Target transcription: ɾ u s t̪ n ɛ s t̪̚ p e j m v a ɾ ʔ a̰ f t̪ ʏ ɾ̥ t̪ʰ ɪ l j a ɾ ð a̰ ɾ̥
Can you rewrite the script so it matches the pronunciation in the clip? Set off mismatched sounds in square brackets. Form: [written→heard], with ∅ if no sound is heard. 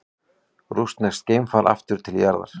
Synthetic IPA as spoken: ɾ u s t̪ n ɛ s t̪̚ [p→c] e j m [v→f] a ɾ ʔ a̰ f t̪ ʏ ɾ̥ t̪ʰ ɪ l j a ɾ ð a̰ ɾ̥